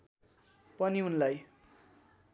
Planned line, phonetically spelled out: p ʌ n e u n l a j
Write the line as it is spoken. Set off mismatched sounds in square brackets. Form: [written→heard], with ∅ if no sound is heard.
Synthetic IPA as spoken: p ʌ n [e→i] u n l a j